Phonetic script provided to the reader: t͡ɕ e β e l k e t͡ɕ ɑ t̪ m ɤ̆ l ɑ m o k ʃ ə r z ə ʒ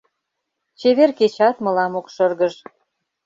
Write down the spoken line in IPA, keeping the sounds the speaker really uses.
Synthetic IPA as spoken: t͡ɕ e β e r k e t͡ɕ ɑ t̪ m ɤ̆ l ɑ m o k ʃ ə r ɣ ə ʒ